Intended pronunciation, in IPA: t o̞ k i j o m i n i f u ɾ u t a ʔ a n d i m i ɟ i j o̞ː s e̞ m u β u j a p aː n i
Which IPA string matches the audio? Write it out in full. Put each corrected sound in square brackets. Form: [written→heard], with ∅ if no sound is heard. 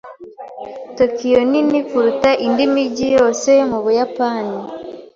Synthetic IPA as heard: t o̞ k i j o [m→n] i n i f u ɾ u t a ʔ [a→i] n d i m i ɟ i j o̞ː s e̞ m u β u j a p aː n i